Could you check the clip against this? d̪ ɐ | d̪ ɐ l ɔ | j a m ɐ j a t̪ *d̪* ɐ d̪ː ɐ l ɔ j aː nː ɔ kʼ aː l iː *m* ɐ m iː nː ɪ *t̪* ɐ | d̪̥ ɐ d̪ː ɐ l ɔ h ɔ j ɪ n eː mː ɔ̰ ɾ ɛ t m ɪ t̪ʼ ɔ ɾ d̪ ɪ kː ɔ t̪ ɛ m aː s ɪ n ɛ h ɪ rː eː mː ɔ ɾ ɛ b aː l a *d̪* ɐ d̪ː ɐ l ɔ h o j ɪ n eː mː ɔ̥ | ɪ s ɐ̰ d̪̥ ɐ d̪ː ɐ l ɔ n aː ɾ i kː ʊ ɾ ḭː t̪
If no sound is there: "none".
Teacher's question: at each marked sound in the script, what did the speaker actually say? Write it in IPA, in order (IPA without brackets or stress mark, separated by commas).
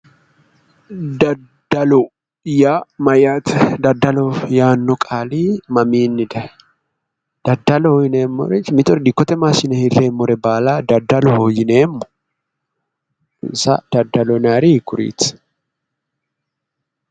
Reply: d̪, m, d̪, d̪